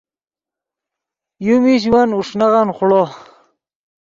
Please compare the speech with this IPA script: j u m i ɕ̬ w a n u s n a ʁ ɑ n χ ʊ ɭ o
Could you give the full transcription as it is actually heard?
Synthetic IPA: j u m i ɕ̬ w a n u ʂ n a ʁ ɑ n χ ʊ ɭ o